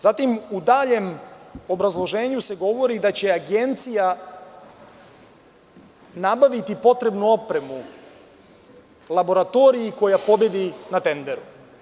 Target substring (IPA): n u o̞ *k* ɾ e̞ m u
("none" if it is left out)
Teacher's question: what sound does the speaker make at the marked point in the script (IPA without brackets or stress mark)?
p